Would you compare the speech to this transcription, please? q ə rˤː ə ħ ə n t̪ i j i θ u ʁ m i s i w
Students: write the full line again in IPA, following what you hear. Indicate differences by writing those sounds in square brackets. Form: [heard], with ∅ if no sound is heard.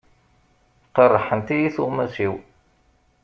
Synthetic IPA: q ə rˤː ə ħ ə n t̪ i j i θ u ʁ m [æ] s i w

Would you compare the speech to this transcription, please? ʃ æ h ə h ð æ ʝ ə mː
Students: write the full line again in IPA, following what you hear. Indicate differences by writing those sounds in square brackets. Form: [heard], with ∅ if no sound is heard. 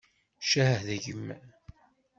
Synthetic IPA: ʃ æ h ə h ð æ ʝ ə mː

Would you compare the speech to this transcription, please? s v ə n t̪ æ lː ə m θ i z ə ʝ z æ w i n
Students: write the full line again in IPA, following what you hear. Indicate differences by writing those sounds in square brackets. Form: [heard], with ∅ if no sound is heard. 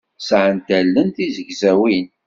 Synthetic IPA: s [ʕ] ə n t̪ æ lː ə [n] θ i z ə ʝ z æ w i n

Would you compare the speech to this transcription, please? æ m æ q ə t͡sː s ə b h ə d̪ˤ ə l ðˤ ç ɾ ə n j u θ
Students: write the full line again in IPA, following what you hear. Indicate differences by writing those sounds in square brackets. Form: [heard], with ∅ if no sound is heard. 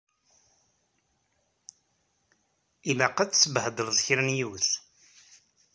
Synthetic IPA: [i] m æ q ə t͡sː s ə b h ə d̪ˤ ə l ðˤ ç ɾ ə n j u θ

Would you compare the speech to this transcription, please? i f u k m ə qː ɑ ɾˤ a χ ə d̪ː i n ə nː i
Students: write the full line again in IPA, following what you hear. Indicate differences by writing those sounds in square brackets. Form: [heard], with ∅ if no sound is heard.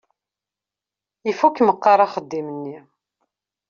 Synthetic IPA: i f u k m ə qː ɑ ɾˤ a χ ə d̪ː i [m] ə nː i

